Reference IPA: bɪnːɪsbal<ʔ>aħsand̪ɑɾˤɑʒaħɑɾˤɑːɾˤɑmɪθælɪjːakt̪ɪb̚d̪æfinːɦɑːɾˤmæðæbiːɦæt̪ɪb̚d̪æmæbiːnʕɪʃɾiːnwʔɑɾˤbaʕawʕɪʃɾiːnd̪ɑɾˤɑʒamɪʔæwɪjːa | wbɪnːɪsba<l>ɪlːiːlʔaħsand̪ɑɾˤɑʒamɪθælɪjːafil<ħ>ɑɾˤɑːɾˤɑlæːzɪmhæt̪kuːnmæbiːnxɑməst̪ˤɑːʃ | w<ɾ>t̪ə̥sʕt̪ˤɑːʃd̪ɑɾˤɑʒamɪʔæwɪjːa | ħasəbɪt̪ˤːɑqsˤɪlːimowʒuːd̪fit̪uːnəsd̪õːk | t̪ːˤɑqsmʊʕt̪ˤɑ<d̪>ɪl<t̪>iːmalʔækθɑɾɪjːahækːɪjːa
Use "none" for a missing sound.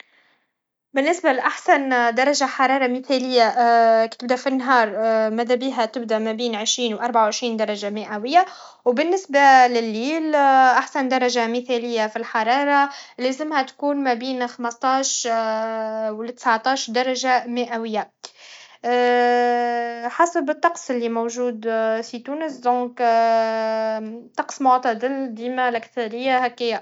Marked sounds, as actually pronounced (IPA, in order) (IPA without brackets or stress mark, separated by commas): ʔ, l, ħ, l, d̪, d̪